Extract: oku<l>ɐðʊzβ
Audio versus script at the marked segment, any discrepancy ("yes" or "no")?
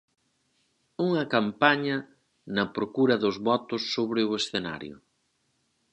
yes